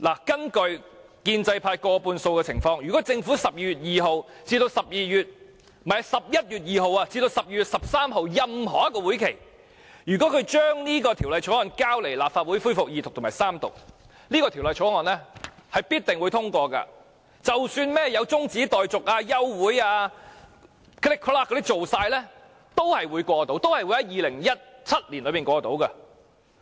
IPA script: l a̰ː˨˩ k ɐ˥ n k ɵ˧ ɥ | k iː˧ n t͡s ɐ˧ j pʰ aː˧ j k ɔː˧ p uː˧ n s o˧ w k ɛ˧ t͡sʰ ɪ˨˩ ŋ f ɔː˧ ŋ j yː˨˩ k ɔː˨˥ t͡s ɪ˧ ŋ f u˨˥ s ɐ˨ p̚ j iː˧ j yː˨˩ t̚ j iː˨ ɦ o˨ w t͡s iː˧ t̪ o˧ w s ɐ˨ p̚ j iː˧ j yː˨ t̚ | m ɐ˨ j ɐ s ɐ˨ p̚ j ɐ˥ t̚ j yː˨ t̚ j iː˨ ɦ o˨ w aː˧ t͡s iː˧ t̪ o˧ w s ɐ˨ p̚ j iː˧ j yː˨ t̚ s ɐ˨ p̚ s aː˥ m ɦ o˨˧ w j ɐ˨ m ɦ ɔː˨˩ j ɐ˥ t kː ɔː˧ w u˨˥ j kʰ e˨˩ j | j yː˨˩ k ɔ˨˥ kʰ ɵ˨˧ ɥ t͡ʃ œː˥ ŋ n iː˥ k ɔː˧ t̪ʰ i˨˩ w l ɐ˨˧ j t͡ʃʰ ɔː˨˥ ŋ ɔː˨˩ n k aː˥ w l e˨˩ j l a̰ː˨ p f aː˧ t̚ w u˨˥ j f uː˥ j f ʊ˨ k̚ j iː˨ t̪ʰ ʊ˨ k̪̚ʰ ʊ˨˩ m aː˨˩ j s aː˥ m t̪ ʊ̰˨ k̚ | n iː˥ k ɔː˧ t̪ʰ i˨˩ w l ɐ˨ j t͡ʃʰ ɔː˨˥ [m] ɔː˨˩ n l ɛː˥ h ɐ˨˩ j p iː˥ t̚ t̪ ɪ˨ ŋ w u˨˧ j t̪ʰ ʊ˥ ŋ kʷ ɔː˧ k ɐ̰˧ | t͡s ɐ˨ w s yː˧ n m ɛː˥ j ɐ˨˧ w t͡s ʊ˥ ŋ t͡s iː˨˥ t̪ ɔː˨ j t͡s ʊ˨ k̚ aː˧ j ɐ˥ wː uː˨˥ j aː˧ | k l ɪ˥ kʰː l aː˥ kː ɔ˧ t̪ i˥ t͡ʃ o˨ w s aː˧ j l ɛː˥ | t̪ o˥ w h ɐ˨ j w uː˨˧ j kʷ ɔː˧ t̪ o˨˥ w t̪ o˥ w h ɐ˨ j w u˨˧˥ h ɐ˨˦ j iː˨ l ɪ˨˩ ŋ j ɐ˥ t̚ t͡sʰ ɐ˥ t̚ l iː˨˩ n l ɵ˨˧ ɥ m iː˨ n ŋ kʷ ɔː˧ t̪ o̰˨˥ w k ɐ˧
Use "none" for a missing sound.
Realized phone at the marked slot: ŋ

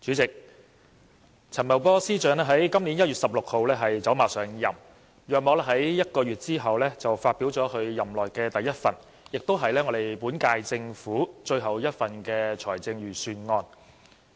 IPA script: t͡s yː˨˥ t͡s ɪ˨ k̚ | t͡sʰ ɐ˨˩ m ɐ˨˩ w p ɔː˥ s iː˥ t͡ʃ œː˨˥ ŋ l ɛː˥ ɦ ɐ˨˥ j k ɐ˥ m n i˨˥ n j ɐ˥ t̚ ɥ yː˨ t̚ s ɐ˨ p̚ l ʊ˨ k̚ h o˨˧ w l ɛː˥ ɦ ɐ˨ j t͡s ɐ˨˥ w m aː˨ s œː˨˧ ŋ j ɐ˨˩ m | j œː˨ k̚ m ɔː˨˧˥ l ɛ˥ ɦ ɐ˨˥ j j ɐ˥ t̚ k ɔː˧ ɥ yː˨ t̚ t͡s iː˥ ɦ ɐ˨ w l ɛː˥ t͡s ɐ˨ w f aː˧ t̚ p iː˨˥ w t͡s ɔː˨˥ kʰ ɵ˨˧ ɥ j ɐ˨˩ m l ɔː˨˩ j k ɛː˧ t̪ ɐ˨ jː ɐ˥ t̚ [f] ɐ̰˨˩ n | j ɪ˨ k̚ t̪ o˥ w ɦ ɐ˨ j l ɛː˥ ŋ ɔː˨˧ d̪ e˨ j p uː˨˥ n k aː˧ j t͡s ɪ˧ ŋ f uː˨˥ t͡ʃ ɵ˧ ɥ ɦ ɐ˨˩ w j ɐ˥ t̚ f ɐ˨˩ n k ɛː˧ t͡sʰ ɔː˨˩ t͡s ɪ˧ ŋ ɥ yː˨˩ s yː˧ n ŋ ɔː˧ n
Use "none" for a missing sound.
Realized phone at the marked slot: f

